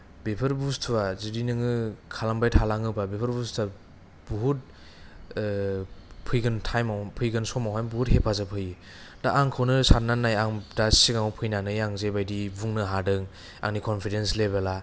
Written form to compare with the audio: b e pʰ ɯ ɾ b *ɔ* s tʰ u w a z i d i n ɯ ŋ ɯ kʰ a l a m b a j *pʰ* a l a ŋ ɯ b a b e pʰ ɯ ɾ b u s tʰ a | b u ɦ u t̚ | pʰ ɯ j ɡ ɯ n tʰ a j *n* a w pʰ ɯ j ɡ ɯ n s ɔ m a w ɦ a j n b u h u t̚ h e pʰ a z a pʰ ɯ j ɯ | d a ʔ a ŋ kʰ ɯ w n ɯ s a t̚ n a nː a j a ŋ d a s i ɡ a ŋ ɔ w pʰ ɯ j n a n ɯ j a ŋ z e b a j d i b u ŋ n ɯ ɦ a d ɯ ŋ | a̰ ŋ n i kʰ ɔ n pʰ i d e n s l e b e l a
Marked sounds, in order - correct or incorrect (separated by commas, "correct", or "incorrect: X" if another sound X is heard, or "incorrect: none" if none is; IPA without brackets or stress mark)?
incorrect: u, incorrect: tʰ, incorrect: m